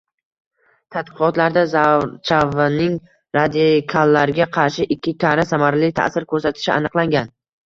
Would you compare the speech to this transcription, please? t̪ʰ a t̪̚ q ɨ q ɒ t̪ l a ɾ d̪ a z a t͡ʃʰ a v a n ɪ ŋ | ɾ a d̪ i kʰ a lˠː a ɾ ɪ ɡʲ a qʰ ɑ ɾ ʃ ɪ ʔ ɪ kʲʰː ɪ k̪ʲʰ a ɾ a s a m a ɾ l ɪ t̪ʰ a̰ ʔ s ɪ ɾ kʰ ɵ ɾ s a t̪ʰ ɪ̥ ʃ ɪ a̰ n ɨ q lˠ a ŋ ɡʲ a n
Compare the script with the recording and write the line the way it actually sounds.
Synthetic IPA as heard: t̪ʰ a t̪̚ q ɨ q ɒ t̪ l a ɾ d̪ a z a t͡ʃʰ a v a n ɪ ŋ | ɾ a d̪ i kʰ a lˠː a ɾ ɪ ɡʲ a qʰ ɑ ɾ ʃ ɪ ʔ ɪ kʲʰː ɪ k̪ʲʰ a ɾ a s a m a ɾ l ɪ t̪ʰ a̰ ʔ s ɪ ɾ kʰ ɵ ɾ s a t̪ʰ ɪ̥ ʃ ɪ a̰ n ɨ q lˠ a ŋ ɡʲ a n